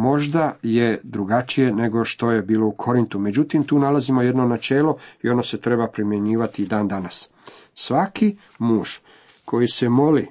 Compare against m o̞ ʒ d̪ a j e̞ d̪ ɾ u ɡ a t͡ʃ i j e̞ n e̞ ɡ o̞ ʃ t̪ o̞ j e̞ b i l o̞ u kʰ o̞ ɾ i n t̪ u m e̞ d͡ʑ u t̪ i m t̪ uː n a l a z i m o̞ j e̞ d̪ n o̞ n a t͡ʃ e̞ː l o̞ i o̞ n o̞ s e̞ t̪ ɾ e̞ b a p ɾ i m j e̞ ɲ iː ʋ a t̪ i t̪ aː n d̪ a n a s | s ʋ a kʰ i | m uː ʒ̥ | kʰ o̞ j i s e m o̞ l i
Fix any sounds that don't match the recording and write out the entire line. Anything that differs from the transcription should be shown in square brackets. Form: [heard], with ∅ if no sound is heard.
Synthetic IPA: m o̞ ʒ d̪ a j e̞ d̪ ɾ u ɡ a t͡ʃ i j e̞ n e̞ ɡ o̞ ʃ t̪ o̞ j e̞ b [iː] l o̞ u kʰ o̞ ɾ i n t̪ u m e̞ d͡ʑ u t̪ i m t̪ uː n a l a z i m o̞ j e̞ d̪ n o̞ n a t͡ʃ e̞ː l o̞ i o̞ n o̞ s e̞ t̪ ɾ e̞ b a p ɾ i m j e̞ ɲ iː ʋ a t̪ i [d̪] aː n d̪ a n a s | s ʋ a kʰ i | m uː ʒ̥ | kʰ o̞ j i s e m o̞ l i